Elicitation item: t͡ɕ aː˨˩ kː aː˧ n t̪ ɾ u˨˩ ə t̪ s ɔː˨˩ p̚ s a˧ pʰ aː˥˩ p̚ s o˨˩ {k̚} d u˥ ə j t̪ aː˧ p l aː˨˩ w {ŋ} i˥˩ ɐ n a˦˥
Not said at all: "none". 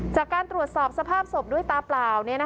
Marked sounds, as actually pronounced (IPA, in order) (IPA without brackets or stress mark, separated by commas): p̚, n